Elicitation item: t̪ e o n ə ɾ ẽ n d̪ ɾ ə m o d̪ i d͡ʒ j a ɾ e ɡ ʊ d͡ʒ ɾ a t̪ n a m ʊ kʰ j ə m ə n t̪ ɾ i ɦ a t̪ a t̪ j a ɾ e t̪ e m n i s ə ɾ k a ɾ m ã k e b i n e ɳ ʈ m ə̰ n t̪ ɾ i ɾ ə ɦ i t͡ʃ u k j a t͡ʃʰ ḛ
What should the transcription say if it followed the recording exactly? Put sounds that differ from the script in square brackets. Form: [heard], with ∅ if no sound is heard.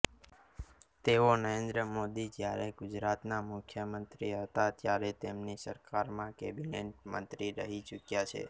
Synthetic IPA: t̪ e o n ə ɾ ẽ n d̪ ɾ ə m o d̪ i d͡ʒ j a ɾ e ɡ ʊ d͡ʒ ɾ a t̪ n a m ʊ kʰ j ə m ə n t̪ ɾ i ɦ [ə] t̪ a t̪ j a ɾ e t̪ e m n i s ə ɾ k a ɾ m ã k e b i n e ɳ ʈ m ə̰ n t̪ ɾ i ɾ ə ɦ i t͡ʃ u k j a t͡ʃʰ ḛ